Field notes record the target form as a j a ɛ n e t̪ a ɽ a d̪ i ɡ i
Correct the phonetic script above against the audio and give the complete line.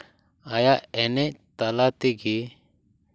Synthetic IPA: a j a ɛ n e t̪ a l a t̪ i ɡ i